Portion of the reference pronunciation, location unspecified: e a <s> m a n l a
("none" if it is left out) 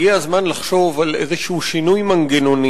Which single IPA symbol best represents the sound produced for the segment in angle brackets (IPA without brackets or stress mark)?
z